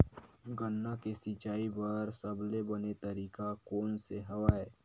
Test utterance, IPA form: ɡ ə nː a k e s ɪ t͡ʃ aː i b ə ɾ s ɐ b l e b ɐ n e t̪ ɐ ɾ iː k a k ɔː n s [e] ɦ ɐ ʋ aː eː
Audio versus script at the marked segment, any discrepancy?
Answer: no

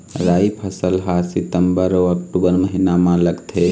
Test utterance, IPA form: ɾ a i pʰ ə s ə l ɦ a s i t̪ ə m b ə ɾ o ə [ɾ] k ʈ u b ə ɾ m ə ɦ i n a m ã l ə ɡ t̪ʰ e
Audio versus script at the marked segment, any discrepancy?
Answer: yes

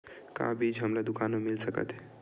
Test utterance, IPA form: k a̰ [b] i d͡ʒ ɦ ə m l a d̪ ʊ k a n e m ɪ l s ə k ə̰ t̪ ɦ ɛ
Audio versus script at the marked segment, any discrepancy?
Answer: no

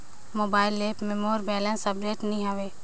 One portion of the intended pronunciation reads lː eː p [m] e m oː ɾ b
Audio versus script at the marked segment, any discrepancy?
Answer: no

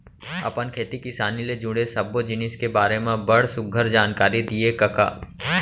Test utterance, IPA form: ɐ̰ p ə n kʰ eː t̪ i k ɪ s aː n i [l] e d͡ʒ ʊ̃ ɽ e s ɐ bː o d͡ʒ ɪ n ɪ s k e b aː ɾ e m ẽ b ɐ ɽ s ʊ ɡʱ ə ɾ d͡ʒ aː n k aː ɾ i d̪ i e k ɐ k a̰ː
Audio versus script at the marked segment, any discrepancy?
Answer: no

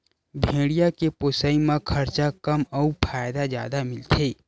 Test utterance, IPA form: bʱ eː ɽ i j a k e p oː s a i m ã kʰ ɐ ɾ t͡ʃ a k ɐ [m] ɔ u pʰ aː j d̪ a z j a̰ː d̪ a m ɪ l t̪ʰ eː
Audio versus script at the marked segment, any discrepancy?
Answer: no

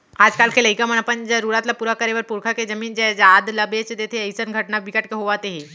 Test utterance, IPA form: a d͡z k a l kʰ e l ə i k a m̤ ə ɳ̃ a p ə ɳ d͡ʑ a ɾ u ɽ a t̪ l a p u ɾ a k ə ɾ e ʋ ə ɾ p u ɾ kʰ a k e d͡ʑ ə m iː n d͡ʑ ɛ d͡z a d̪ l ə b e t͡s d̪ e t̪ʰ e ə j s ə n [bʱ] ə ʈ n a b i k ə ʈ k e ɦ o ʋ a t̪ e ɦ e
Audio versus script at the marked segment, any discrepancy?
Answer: yes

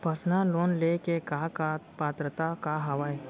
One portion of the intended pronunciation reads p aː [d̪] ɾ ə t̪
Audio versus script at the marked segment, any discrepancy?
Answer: yes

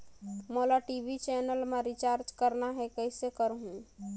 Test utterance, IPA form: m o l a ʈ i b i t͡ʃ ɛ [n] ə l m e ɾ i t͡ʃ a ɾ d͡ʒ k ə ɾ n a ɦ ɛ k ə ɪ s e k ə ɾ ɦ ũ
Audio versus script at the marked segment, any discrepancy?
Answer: no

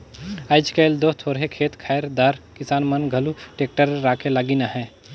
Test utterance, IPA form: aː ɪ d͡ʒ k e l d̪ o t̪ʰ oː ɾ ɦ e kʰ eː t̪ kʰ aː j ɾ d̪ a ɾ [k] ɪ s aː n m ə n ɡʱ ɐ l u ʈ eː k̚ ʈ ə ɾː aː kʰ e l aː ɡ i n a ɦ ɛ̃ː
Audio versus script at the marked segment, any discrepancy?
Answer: no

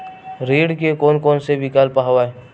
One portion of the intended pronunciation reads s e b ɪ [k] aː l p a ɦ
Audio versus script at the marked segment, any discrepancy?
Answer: no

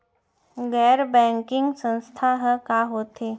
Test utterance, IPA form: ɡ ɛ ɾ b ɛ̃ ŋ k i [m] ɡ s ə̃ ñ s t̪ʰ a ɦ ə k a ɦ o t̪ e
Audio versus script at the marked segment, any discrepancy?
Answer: yes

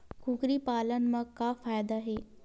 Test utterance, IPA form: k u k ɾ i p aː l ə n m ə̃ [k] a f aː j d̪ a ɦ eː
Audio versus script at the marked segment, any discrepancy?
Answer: no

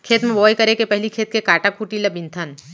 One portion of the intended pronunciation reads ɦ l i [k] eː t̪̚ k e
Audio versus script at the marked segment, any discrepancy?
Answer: yes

